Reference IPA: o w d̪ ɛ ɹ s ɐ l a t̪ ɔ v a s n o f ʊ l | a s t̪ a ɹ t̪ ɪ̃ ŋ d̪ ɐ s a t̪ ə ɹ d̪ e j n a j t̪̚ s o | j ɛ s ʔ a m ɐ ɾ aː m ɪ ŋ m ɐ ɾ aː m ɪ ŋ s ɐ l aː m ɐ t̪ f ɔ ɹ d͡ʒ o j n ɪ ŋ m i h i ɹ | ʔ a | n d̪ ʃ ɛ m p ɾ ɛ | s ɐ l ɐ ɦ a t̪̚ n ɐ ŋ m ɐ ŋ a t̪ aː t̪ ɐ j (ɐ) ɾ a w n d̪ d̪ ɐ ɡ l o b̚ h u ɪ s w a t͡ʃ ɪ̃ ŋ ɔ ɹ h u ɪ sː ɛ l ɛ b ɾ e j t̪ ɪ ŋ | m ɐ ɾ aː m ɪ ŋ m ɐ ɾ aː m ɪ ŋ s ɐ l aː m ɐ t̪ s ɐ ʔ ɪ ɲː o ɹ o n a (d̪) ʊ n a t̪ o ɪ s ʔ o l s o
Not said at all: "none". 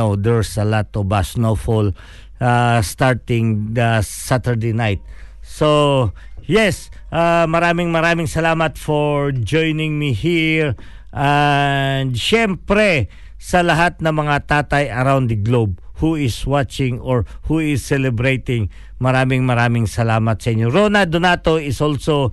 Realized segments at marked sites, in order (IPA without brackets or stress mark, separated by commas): ɐ, d̪